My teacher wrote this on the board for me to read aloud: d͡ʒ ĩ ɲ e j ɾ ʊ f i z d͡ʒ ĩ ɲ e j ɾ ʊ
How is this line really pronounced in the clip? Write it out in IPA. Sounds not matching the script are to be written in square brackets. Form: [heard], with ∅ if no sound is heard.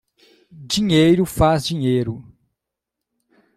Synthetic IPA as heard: d͡ʒ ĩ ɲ e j ɾ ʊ f [a] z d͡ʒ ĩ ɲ e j ɾ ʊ